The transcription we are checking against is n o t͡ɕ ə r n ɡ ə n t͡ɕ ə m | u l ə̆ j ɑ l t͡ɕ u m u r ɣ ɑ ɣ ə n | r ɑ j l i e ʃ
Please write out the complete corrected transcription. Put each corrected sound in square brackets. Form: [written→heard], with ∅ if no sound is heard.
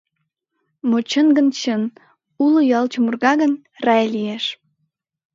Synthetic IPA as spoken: [n→m] o t͡ɕ ə [r→∅] n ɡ ə n t͡ɕ ə [m→n] | u l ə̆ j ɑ l t͡ɕ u m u r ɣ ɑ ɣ ə n | r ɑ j l i e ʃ

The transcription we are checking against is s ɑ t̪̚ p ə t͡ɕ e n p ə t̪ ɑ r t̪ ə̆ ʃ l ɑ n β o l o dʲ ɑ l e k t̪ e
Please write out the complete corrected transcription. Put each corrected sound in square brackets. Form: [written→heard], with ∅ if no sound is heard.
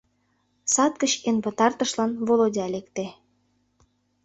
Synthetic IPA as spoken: s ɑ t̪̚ [p→k] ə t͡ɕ e n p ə t̪ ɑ r t̪ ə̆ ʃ l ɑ n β o l o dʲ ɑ l e k t̪ e

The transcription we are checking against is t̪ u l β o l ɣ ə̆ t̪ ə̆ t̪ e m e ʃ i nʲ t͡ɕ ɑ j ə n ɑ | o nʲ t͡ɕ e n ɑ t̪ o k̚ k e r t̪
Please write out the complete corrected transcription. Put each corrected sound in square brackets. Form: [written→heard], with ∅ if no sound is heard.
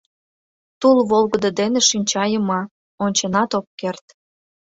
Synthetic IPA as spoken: t̪ u l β o l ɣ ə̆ [t̪→d̪] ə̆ [t̪→d̪] e [m→n] e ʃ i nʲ t͡ɕ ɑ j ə [n→m] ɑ | o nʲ t͡ɕ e n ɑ t̪ o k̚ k e r t̪

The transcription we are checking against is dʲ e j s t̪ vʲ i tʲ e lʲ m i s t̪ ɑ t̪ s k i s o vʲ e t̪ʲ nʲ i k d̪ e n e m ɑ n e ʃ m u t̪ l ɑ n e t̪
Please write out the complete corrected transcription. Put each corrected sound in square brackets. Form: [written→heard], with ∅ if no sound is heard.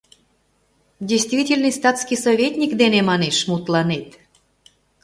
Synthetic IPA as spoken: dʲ e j s t̪ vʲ i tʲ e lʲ [m→n] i s t̪ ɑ t̪ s k i s o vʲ e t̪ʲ nʲ i k d̪ e n e m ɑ n e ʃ m u t̪ l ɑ n e t̪

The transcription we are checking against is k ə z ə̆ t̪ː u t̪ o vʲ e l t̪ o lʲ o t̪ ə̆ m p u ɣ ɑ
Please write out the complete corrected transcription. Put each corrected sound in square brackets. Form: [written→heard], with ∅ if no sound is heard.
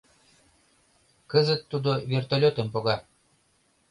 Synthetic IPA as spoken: k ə z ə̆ t̪ː u [t̪→d̪] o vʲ e [l→r] t̪ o lʲ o t̪ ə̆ m p [u→o] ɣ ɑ

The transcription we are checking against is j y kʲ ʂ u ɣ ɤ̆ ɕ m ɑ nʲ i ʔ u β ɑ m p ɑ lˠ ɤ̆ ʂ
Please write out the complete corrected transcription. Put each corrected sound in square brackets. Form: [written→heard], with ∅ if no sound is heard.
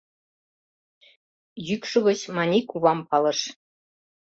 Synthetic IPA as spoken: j y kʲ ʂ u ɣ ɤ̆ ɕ m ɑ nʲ i [ʔ→k] u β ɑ m p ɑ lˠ ɤ̆ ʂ

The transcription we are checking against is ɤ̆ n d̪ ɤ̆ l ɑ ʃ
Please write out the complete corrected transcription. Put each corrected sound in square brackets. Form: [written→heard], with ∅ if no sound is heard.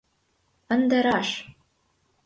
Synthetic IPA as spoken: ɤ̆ n d̪ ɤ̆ [l→ɾ] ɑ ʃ

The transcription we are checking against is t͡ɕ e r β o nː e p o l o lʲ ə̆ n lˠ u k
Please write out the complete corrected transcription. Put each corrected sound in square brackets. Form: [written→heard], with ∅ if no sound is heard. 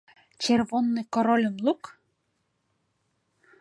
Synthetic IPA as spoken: t͡ɕ e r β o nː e [p→k] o [l→ɾ] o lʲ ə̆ [n→m] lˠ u k

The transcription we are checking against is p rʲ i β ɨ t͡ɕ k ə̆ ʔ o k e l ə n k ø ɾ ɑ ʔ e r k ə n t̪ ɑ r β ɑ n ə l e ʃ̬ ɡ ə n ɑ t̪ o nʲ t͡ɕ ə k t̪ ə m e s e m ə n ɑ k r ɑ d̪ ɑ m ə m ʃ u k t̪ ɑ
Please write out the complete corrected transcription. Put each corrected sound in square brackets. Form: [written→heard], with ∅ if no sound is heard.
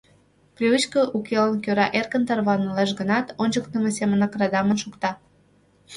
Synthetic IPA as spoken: p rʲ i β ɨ t͡ɕ k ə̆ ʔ [o→u] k e l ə n k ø ɾ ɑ ʔ e r k ə n t̪ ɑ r β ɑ n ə l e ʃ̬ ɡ ə n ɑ t̪ o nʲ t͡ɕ ə k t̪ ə m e s e m ə n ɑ k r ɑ d̪ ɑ m ə [m→n] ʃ u k t̪ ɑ

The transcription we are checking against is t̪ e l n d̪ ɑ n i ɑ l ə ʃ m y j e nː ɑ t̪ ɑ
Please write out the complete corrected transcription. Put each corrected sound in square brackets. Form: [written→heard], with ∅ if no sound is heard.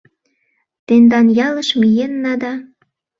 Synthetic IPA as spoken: t̪ e [l→∅] n d̪ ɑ n [i→j] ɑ l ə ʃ m [y→i] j e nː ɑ [t̪→d̪] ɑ

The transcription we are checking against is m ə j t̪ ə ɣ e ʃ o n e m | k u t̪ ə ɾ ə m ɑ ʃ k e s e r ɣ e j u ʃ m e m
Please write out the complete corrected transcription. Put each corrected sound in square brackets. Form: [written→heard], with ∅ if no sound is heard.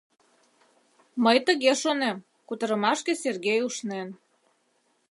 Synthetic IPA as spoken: m ə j t̪ ə ɣ e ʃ o n e m | k u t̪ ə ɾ ə m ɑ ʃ k e s e r ɣ e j u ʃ [m→n] e [m→n]

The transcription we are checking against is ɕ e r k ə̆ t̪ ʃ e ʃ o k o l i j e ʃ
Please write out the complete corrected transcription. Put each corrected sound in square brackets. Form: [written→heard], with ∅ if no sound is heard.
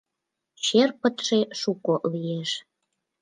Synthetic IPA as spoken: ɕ e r [k→p] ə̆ t̪ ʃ e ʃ [o→u] k o l i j e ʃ

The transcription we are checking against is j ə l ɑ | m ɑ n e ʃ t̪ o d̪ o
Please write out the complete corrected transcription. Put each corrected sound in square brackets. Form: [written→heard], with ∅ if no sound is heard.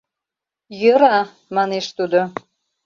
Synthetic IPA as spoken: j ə [l→ɾ] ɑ | m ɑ n e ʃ t̪ [o→u] d̪ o

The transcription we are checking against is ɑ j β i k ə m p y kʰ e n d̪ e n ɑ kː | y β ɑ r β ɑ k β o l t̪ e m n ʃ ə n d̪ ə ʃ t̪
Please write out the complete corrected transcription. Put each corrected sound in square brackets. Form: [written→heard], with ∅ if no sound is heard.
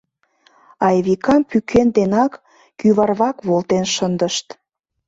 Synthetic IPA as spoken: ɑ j β i k [ə→ɑ] m p y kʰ e n d̪ e n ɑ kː | y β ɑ r β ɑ k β o l t̪ e [m→∅] n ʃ ə n d̪ ə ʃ t̪

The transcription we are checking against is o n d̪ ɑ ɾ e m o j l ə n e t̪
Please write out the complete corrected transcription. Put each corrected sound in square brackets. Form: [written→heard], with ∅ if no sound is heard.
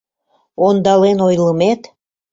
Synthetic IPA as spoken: o n d̪ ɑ [ɾ→l] e [m→n] o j l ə [n→m] e t̪

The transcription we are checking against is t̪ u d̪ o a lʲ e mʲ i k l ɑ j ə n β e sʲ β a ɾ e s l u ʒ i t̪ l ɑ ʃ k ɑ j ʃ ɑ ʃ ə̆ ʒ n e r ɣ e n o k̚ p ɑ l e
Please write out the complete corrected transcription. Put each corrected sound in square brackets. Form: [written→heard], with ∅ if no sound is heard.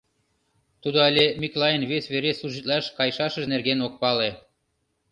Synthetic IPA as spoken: t̪ u d̪ o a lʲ e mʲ i k l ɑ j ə n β e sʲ β [a→e] ɾ e s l u ʒ i t̪ l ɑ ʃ k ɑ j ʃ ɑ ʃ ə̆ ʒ n e r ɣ e n o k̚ p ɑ l e

